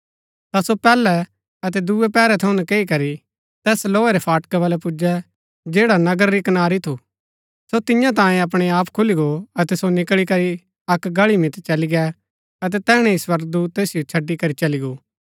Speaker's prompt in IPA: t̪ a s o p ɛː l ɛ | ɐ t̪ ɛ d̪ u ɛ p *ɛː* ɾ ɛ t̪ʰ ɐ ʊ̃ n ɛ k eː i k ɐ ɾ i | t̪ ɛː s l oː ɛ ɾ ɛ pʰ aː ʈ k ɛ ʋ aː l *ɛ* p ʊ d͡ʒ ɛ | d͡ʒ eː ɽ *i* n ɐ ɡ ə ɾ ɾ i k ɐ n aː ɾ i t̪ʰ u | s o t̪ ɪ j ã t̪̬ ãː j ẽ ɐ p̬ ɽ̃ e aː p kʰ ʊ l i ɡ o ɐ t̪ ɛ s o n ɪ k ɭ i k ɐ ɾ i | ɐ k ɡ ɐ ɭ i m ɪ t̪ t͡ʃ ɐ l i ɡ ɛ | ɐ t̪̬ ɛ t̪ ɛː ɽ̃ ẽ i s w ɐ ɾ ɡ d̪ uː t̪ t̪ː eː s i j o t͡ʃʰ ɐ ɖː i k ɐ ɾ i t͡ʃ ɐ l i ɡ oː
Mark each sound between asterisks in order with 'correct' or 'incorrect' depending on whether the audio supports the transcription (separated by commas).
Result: correct, correct, incorrect